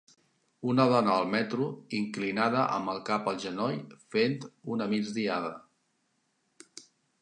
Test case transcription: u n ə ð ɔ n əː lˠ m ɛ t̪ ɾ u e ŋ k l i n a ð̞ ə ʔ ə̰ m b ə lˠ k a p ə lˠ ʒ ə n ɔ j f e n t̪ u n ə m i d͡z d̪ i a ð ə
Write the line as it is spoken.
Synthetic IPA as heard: u n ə ð ɔ n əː lˠ m ɛ t̪ ɾ u i ŋ k l i n a ð̞ ə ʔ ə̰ m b ə lˠ k a p ə lˠ ʒ ə n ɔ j f e n t̪ u n ə m i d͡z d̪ i a ð ə